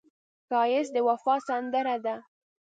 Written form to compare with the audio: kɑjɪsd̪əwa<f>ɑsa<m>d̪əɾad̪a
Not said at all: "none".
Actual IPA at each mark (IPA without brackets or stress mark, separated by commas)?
f, n